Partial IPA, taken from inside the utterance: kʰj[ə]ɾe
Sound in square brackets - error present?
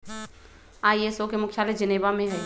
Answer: yes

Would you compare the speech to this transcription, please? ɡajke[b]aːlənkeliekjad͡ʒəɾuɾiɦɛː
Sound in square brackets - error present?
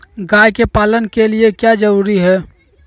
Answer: yes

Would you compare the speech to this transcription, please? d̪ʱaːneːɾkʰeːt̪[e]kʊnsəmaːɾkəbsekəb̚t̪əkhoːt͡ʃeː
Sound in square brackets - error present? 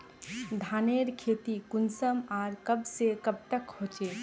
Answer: yes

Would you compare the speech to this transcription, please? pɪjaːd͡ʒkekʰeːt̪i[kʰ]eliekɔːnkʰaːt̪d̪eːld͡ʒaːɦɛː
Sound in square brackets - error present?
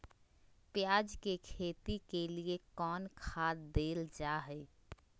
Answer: yes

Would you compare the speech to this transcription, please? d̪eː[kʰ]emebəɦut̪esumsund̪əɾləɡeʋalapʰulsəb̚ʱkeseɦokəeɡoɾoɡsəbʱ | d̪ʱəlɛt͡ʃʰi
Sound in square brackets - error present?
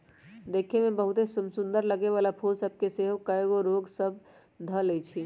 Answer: no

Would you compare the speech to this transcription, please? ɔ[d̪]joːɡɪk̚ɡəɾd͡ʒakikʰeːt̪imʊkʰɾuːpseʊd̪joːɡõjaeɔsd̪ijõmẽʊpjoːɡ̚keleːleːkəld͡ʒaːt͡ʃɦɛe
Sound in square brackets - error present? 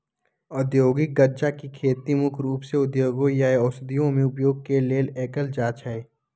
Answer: no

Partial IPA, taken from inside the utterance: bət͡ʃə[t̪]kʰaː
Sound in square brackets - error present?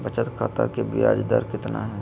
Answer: no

